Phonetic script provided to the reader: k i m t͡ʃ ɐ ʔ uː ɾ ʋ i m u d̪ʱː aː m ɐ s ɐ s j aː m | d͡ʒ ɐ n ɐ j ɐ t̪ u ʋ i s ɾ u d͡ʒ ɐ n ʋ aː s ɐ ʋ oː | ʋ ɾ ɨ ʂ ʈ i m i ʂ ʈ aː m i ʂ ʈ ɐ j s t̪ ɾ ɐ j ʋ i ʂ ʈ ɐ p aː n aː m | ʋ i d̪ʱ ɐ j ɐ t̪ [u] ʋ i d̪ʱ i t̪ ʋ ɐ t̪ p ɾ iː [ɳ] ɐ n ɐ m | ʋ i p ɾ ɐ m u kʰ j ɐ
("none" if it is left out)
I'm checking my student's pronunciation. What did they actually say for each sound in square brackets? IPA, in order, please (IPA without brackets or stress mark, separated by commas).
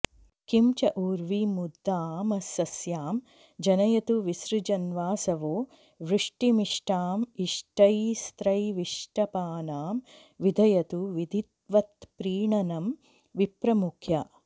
u, ɳ